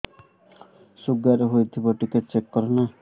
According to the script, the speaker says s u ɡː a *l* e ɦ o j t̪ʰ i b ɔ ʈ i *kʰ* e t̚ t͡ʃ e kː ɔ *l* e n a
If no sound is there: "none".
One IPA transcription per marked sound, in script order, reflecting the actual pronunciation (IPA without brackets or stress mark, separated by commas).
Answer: ɾ, k, ɾ